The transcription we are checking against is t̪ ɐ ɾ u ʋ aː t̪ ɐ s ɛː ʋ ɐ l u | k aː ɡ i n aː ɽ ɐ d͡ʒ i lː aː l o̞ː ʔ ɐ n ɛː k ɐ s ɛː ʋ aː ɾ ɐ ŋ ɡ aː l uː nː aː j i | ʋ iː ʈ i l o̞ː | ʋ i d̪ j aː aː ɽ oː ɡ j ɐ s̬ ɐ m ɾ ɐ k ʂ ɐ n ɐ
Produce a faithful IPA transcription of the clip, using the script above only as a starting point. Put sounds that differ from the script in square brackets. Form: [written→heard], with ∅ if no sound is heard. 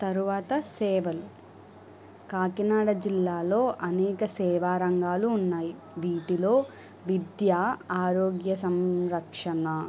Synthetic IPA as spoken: t̪ ɐ ɾ u ʋ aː t̪ ɐ s ɛː ʋ ɐ l u | k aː [ɡ→k] i n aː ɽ ɐ d͡ʒ i lː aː l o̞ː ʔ ɐ n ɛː k ɐ s ɛː ʋ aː ɾ ɐ ŋ ɡ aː l uː nː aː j i | ʋ iː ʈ i l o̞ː | ʋ i d̪ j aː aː [ɽ→ɾ] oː ɡ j ɐ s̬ ɐ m ɾ ɐ k ʂ ɐ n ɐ

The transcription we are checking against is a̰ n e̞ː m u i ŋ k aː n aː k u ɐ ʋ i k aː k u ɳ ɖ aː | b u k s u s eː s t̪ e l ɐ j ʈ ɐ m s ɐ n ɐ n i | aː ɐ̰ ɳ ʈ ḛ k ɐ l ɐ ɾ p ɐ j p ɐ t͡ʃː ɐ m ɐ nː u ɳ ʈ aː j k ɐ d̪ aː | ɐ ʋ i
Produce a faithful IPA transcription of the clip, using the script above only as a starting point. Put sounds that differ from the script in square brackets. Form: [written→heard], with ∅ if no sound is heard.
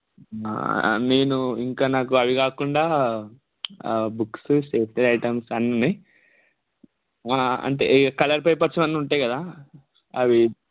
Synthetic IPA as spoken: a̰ n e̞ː [m→n] u i ŋ k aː n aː k u ɐ ʋ i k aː k u ɳ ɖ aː | b u k s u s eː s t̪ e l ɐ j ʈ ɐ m s ɐ n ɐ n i | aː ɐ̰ ɳ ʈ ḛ k ɐ l ɐ ɾ p ɐ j p ɐ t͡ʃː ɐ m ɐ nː u ɳ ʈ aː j k ɐ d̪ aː | ɐ ʋ i

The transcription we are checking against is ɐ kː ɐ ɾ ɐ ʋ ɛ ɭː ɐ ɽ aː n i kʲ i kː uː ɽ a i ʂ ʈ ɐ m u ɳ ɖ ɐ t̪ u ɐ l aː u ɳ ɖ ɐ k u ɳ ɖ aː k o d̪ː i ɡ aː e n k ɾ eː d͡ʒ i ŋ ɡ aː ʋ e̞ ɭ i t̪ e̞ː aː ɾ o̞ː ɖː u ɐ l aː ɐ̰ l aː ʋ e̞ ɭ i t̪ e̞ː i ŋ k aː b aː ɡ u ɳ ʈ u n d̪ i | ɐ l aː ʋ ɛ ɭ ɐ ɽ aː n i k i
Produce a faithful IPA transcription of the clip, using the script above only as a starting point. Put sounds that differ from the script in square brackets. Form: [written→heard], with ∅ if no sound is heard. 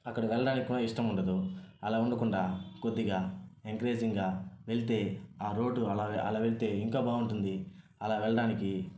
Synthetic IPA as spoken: ɐ kː ɐ [ɾ→ɽ] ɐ ʋ ɛ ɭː ɐ ɽ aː n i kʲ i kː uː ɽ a i ʂ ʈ ɐ m u ɳ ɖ ɐ [t̪→d̪] u ɐ l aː u ɳ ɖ ɐ k u ɳ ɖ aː k o d̪ː i ɡ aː e [n→ŋ] k ɾ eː d͡ʒ i ŋ ɡ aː ʋ e̞ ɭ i t̪ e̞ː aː ɾ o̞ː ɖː u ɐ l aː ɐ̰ l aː ʋ e̞ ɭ i t̪ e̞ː i ŋ k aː b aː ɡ u ɳ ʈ u n d̪ i | ɐ l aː ʋ ɛ ɭ ɐ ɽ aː n i k i

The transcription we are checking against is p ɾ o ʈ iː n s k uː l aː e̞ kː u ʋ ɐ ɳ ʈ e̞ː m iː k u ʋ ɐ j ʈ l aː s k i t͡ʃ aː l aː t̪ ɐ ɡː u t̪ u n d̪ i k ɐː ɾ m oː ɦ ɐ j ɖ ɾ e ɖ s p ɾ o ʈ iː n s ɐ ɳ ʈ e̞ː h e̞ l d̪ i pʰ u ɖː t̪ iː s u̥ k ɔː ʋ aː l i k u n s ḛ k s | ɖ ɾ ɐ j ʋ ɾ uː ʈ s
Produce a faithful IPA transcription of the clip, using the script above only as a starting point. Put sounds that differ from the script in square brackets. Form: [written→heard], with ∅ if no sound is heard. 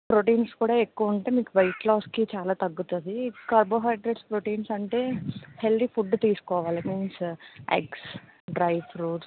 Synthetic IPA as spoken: p ɾ o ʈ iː n s k uː [l→ɽ] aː e̞ kː u ʋ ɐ ɳ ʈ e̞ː m iː k u ʋ ɐ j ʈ l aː s k i t͡ʃ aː l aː t̪ ɐ ɡː u t̪ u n d̪ i k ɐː ɾ [m→b] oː ɦ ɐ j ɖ ɾ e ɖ s p ɾ o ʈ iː n s ɐ ɳ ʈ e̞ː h e̞ l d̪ i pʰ u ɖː t̪ iː s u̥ k ɔː ʋ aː l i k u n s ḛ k s | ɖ ɾ ɐ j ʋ ɾ uː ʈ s

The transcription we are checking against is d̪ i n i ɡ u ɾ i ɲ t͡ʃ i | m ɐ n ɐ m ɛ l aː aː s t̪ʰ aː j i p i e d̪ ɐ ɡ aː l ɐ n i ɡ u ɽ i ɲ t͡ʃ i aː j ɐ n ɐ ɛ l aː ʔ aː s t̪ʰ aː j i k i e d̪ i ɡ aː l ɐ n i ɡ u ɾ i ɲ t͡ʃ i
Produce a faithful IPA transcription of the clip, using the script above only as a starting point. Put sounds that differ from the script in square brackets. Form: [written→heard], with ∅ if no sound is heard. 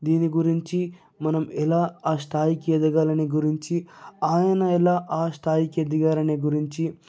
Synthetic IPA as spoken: d̪ [i→iː] n i ɡ u ɾ i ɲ t͡ʃ i | m ɐ n ɐ m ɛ l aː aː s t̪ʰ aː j i [p→k] i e d̪ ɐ ɡ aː l ɐ n i ɡ u [ɽ→ɾ] i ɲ t͡ʃ i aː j ɐ n ɐ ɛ l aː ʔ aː s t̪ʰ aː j i k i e d̪ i ɡ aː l ɐ n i ɡ u ɾ i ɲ t͡ʃ i

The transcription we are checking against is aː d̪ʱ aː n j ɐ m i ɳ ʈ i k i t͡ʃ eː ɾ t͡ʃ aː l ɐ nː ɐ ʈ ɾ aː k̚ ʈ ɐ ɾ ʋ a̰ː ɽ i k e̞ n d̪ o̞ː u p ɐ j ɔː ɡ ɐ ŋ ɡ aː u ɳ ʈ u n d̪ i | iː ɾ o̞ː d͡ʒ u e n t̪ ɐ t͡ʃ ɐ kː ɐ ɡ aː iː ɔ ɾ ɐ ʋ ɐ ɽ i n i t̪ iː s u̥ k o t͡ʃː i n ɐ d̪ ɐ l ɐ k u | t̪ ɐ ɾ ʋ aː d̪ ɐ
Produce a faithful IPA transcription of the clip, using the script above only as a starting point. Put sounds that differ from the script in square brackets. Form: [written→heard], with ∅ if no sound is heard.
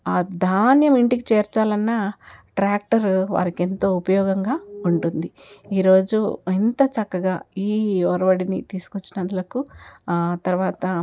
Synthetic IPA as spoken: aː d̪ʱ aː n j ɐ m i ɳ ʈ i k i t͡ʃ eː ɾ t͡ʃ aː l ɐ nː ɐ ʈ ɾ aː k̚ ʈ ɐ ɾ ʋ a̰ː [ɽ→ɾ] i k e̞ n [d̪→t̪] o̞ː u p ɐ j ɔː ɡ ɐ ŋ ɡ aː u ɳ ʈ u n d̪ i | iː ɾ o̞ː d͡ʒ u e n t̪ ɐ t͡ʃ ɐ kː ɐ ɡ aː iː ɔ ɾ ɐ ʋ ɐ ɽ i n i t̪ iː s u̥ k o t͡ʃː i n ɐ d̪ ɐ l ɐ k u | t̪ ɐ ɾ ʋ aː [d̪→t̪] ɐ

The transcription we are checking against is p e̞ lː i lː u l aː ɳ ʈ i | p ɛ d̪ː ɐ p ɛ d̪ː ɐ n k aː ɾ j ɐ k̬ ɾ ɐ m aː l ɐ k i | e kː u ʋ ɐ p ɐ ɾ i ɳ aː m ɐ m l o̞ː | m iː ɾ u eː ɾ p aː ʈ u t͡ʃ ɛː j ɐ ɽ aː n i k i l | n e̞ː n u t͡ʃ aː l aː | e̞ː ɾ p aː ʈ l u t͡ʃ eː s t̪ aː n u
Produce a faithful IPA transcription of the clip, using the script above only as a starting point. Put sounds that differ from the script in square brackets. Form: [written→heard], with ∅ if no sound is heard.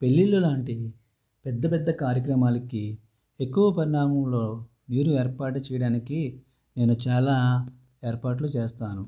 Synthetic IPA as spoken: p e̞ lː i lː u l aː ɳ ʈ i | p ɛ d̪ː ɐ p ɛ d̪ː ɐ [n→∅] k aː ɾ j ɐ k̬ ɾ ɐ m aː l ɐ k i | e kː u ʋ ɐ p ɐ ɾ i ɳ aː m ɐ m l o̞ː | m iː ɾ u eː ɾ p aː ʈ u t͡ʃ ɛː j ɐ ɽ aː n i k i [l→∅] | n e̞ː n u t͡ʃ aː l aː | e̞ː ɾ p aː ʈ l u t͡ʃ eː s t̪ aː n u

